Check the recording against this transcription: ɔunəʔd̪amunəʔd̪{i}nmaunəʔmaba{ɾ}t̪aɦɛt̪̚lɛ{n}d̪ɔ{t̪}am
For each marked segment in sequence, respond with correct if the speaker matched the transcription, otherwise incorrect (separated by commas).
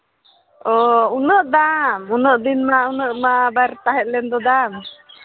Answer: correct, correct, correct, incorrect